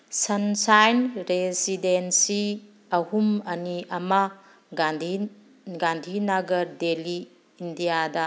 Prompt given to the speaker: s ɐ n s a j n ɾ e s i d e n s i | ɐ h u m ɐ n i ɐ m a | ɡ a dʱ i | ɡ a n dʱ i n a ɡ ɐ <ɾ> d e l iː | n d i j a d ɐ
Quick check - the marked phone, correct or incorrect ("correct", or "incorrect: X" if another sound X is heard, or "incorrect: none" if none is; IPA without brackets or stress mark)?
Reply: correct